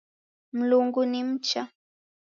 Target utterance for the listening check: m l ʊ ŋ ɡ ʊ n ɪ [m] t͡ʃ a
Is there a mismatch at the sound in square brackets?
no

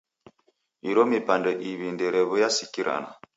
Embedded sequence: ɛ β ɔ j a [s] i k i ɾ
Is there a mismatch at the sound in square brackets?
no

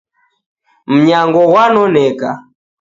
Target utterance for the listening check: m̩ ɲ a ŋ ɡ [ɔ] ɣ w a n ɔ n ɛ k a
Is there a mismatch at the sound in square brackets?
no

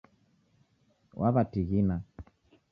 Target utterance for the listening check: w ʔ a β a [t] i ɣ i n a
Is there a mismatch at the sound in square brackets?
no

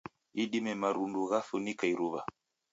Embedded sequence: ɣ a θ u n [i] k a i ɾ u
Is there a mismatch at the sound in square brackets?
no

